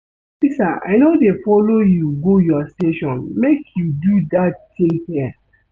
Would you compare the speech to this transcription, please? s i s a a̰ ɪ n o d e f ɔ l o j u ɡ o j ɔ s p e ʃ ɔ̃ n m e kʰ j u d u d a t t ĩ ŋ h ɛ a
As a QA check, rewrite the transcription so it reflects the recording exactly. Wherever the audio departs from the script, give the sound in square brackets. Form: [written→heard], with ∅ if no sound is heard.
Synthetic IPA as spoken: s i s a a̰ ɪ n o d e f ɔ l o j u ɡ o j ɔ s [p→t] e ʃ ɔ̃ n m e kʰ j u d u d a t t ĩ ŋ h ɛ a